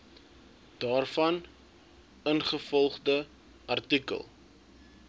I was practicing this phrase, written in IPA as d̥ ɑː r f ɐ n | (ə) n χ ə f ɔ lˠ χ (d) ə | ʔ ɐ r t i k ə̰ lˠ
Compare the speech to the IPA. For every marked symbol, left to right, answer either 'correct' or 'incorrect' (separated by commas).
correct, correct